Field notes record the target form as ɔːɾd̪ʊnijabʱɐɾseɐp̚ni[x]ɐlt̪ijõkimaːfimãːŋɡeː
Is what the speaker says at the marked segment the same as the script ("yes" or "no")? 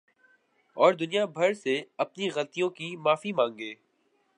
no